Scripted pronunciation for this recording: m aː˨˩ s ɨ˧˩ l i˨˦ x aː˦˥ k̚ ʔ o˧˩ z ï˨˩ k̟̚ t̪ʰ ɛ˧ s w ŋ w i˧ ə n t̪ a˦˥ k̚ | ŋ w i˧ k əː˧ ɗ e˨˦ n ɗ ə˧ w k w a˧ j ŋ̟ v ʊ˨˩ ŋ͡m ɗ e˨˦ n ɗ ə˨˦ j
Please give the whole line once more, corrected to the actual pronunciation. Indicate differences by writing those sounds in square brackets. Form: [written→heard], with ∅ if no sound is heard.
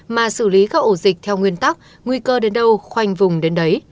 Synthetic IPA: m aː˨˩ s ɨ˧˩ l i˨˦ [x→k] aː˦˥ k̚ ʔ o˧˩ z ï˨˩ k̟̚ t̪ʰ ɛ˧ [s→∅] w ŋ w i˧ ə n t̪ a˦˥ k̚ | ŋ w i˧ k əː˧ ɗ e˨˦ n ɗ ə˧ w [k→x] w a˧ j ŋ̟ v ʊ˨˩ ŋ͡m ɗ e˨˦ n ɗ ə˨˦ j